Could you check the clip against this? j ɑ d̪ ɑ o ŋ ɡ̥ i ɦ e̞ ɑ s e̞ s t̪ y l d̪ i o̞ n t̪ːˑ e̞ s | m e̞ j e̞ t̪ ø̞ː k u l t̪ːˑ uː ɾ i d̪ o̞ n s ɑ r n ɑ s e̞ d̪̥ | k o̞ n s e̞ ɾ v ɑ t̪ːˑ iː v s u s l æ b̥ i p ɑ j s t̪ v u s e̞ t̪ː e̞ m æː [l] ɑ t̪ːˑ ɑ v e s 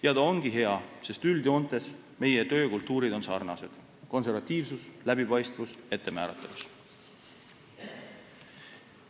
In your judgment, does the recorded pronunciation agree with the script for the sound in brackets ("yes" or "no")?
no